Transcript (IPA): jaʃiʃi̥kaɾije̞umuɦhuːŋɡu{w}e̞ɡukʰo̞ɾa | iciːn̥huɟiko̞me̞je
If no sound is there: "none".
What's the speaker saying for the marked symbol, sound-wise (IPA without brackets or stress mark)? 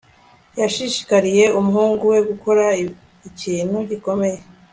w